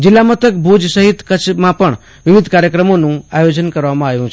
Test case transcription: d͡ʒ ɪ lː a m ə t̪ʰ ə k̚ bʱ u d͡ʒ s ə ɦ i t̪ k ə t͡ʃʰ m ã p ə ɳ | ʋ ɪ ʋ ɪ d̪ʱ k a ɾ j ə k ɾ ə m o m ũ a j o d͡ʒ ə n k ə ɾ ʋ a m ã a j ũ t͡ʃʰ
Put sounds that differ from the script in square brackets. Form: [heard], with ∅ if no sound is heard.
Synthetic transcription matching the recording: d͡ʒ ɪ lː a m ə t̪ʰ ə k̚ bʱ u d͡ʒ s ə ɦ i t̪ k ə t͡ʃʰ m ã p ə ɳ | ʋ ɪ ʋ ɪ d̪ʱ k a ɾ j ə k ɾ ə m o [n] ũ a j o d͡ʒ ə n k ə ɾ ʋ a m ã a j ũ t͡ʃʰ